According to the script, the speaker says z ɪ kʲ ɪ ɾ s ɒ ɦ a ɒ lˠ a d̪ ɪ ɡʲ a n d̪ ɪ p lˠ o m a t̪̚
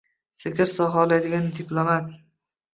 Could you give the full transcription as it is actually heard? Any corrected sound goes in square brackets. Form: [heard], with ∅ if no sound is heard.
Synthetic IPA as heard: [s] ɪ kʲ ɪ ɾ s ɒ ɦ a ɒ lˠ a d̪ ɪ ɡʲ a n d̪ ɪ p lˠ o m a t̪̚

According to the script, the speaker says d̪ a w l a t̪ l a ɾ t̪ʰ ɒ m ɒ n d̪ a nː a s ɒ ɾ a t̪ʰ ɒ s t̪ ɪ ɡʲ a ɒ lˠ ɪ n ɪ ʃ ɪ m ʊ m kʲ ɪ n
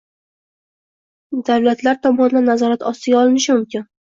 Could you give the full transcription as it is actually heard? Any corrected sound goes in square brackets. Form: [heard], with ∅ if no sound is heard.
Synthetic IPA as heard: d̪ a w l a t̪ l a ɾ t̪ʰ ɒ m ɒ n d̪ a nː a [z] ɒ ɾ a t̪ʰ ɒ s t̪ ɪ ɡʲ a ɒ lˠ ɪ n ɪ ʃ ɪ m ʊ m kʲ ɪ n

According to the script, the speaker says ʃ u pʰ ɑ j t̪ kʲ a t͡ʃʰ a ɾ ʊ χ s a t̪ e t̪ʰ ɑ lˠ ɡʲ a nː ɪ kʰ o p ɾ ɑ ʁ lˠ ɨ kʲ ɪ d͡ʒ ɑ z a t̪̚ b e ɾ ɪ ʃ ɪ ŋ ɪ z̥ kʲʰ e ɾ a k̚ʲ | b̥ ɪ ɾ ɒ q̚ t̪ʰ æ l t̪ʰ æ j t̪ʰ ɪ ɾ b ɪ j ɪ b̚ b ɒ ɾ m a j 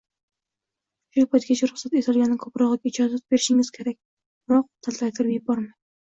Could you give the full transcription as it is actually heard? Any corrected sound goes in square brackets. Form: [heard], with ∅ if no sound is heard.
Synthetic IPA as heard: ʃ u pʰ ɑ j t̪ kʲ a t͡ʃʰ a ɾ ʊ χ s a t̪ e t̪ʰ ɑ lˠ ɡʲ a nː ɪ kʰ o p ɾ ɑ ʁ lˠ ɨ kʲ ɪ d͡ʒ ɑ z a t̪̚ b e ɾ ɪ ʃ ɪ ŋ ɪ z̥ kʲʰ e ɾ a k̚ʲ | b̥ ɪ ɾ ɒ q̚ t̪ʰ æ l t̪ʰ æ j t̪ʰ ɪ ɾ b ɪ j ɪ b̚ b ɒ ɾ m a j

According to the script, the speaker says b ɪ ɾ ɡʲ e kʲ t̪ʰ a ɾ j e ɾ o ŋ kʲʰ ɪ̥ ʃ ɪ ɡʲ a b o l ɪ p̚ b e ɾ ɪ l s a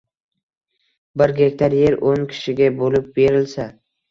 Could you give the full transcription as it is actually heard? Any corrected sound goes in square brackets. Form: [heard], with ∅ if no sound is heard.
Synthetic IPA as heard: b ɪ ɾ ɡʲ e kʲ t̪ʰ a ɾ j e ɾ o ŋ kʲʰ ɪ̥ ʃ ɪ ɡʲ a b o l ɪ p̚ b e ɾ ɪ l s a

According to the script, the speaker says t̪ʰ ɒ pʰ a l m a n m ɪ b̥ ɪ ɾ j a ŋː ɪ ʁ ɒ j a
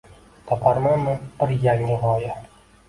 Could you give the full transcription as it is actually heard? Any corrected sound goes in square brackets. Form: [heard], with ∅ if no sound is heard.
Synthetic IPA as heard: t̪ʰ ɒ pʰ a [ɾ] m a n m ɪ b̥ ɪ ɾ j a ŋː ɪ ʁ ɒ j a

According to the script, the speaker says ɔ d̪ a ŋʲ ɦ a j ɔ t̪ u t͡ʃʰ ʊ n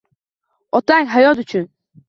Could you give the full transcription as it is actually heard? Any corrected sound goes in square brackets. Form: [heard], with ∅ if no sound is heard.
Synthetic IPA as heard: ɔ [t̪] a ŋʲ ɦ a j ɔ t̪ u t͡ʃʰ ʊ n

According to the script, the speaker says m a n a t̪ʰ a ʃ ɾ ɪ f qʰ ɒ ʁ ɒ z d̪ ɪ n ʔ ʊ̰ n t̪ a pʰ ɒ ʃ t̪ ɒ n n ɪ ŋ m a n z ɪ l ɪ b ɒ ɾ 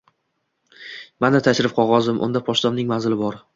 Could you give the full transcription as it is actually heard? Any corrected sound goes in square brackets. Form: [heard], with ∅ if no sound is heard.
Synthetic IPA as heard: m a n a t̪ʰ a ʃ ɾ ɪ f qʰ ɒ ʁ ɒ z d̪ ɪ [m] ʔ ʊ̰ n [d̪] a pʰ ɒ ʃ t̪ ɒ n n ɪ ŋ m a n z ɪ l ɪ b ɒ ɾ

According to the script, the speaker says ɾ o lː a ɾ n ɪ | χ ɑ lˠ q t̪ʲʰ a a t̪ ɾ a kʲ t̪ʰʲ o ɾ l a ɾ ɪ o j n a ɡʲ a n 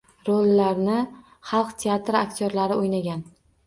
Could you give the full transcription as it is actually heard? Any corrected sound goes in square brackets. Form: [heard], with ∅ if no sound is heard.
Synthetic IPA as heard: ɾ o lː a ɾ n ɪ | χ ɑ lˠ q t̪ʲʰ [e] a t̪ ɾ a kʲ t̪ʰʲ o ɾ l a ɾ ɪ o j n a ɡʲ a n

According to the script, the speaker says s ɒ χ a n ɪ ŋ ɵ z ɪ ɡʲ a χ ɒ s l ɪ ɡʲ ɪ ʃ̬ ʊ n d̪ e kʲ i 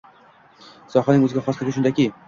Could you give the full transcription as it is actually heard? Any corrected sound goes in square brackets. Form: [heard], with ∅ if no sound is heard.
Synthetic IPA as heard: s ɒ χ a n ɪ ŋ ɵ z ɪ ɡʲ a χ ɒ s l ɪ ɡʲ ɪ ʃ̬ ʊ n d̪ [a] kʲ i

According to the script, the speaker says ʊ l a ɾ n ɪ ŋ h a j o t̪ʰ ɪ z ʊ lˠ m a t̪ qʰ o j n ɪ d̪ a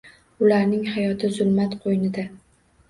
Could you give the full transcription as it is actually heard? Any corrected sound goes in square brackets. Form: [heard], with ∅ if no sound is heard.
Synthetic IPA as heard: ʊ l a ɾ n ɪ ŋ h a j [ɒ] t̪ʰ ɪ z ʊ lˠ m a t̪ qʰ o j n ɪ d̪ a

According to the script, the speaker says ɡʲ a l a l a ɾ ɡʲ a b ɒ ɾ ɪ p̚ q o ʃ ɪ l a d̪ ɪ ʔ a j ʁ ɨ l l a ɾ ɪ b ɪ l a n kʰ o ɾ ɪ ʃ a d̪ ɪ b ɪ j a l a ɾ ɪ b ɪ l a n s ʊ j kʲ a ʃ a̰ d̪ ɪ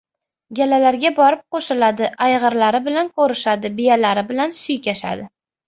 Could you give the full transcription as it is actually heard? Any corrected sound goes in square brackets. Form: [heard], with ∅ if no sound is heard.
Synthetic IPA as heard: ɡʲ a l a l a ɾ ɡʲ a b ɒ ɾ ɪ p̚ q o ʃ ɪ l a d̪ ɪ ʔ a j ʁ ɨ [ɾ] l a ɾ ɪ b ɪ l a n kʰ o ɾ ɪ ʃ a d̪ ɪ b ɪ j a l a ɾ ɪ b ɪ l a n s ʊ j kʲ a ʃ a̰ d̪ ɪ

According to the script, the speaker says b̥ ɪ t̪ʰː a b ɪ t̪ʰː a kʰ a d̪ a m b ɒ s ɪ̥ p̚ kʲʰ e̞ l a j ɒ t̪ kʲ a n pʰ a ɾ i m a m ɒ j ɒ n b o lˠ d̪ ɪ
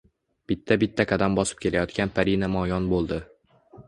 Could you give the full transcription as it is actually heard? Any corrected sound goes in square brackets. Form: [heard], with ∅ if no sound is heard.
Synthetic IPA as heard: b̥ ɪ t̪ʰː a b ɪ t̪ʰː a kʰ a d̪ a m b ɒ s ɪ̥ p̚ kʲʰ e̞ l a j ɒ t̪ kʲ a n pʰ a ɾ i [n] a m ɒ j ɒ n b o lˠ d̪ ɪ

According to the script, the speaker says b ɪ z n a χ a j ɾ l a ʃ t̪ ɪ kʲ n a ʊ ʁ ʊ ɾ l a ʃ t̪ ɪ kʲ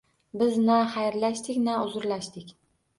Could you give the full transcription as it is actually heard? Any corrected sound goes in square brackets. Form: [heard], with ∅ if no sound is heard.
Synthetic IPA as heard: b ɪ z n a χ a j ɾ l a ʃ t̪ ɪ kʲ n a ʊ [z] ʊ ɾ l a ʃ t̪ ɪ kʲ

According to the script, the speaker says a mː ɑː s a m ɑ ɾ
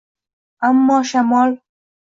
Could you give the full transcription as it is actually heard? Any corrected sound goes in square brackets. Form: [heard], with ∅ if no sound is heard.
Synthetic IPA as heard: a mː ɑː [ʃ] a m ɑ [l]

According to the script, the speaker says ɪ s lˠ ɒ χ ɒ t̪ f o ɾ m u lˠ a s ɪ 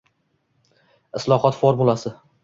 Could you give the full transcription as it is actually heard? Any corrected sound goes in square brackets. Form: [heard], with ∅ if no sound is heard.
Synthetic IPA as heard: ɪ s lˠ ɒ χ ɒ t̪ f o ɾ m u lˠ a s ɪ

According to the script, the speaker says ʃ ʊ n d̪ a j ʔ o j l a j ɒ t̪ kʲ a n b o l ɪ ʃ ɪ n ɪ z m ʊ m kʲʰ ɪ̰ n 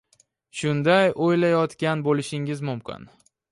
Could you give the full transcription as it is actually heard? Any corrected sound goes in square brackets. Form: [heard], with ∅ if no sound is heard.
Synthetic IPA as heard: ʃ ʊ n d̪ a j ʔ o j l a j ɒ t̪ kʲ a n b o l ɪ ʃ ɪ [ŋ] ɪ z m ʊ m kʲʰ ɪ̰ n

